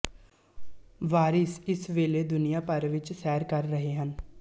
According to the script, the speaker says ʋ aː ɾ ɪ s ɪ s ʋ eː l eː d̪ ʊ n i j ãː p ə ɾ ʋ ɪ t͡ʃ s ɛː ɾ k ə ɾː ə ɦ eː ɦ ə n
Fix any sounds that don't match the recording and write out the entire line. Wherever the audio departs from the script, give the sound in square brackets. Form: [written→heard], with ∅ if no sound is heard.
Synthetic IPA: ʋ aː ɾ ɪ s ɪ s ʋ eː l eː d̪ ʊ n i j [ãː→aː] p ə ɾ ʋ ɪ t͡ʃ s ɛː ɾ k ə ɾː ə ɦ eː ɦ ə n